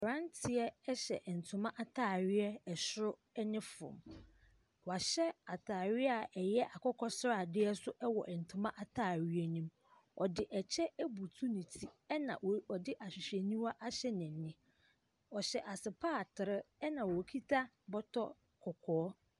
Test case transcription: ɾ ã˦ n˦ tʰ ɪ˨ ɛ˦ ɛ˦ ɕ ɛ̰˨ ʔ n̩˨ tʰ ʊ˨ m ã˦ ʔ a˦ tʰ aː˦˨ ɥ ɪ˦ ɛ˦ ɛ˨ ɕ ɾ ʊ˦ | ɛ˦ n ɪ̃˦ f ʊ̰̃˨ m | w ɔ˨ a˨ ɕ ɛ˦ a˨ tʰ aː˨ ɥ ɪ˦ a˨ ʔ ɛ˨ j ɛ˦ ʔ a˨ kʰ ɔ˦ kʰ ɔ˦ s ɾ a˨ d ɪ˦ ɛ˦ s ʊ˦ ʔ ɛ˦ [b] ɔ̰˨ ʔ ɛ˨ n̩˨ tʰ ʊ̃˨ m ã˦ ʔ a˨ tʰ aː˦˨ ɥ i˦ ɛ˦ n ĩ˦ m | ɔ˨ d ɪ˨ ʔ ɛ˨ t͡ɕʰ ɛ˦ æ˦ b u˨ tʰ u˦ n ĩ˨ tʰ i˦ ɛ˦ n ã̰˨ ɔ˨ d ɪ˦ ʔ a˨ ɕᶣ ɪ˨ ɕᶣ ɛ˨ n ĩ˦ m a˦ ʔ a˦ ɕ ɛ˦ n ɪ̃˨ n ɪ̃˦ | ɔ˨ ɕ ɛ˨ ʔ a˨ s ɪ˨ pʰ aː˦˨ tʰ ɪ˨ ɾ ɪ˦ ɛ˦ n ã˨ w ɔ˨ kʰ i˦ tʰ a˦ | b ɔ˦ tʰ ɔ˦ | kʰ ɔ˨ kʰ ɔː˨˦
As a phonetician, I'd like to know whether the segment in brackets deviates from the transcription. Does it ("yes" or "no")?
yes